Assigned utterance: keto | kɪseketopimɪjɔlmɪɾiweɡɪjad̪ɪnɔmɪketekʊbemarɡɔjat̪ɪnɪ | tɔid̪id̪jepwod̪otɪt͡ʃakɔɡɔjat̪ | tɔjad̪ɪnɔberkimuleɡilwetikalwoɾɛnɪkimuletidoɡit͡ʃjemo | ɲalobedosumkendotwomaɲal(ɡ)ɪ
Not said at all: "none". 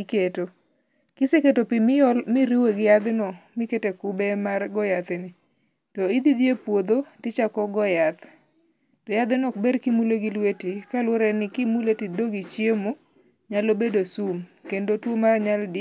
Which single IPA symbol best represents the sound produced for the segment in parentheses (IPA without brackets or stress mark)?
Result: d